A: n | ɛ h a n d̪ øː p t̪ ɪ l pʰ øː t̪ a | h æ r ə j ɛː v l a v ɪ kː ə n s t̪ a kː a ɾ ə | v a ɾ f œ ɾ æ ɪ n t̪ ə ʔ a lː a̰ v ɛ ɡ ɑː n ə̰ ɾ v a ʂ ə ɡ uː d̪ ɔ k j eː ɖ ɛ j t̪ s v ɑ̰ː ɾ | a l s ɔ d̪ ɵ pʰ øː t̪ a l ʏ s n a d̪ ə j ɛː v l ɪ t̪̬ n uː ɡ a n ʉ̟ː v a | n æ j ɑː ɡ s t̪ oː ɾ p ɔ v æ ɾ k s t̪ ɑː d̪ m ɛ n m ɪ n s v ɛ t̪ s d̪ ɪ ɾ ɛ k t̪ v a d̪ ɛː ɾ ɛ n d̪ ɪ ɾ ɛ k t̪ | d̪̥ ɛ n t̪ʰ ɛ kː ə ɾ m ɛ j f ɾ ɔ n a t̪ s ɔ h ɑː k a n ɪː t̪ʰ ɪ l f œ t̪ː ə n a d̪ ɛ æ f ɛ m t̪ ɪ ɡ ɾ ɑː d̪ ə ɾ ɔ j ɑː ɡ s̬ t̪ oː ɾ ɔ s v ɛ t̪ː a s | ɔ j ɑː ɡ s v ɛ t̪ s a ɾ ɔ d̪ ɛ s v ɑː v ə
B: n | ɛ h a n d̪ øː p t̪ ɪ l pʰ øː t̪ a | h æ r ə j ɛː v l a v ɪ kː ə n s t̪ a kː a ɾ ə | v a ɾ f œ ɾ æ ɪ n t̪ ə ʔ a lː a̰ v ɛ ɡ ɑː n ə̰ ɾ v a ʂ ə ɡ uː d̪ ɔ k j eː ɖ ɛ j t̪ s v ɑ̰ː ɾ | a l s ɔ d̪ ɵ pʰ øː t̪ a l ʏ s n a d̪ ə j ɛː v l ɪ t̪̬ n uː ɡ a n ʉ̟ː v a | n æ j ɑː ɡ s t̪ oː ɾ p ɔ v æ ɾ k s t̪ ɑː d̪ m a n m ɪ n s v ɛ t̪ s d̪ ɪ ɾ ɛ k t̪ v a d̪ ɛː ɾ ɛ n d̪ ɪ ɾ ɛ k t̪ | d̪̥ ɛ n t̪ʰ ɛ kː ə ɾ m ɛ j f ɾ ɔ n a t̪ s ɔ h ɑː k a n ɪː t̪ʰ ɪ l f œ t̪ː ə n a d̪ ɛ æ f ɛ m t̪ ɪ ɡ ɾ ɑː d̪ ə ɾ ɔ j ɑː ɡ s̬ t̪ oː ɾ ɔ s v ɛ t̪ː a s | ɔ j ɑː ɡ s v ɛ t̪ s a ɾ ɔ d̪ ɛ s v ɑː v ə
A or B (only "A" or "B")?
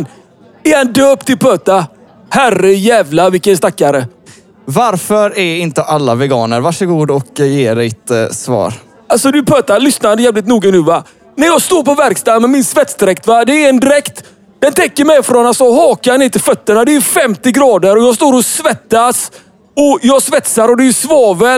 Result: A